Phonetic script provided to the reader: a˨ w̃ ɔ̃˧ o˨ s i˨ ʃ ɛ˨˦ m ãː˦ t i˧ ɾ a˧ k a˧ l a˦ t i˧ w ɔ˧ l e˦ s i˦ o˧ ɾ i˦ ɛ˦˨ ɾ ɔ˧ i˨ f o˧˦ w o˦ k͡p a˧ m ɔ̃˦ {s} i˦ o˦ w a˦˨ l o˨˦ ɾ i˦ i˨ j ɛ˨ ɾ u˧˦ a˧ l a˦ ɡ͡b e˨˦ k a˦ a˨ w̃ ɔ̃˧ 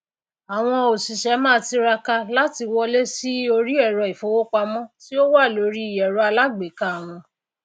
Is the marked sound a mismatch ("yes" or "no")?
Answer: yes